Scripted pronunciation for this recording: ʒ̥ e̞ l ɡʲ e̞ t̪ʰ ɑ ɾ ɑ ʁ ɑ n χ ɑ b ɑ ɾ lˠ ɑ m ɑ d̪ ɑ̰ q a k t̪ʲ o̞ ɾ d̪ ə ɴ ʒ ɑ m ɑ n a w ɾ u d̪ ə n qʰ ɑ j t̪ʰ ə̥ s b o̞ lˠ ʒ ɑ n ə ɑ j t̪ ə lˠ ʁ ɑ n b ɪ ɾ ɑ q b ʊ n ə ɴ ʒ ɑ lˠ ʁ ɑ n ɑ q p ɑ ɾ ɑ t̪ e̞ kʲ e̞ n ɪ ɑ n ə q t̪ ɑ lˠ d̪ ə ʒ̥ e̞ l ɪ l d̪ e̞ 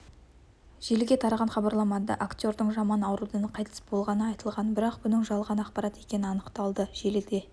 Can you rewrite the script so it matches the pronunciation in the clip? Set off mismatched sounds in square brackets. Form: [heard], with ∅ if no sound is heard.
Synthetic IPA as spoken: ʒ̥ e̞ l ɡʲ e̞ t̪ʰ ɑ ɾ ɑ ʁ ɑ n χ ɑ b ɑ ɾ lˠ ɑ m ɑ d̪ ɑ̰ [ʔ] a k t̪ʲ o̞ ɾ d̪ ə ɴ ʒ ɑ m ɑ n [ɑ] w ɾ u d̪ ə n qʰ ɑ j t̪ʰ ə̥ s b o̞ lˠ [ʁ] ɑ n ə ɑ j t̪ ə lˠ ʁ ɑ n b ɪ ɾ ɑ q b ʊ n ə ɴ ʒ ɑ lˠ ʁ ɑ n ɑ q p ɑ ɾ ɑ t̪ e̞ kʲ e̞ n ɪ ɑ n ə q t̪ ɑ lˠ d̪ ə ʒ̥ e̞ l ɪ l d̪ e̞